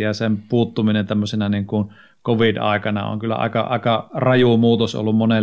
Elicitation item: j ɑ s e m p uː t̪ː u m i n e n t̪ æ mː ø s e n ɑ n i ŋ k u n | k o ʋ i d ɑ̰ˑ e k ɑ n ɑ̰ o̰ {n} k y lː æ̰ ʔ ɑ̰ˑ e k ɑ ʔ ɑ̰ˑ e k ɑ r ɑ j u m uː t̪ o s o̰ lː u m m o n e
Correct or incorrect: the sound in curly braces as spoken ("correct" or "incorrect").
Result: incorrect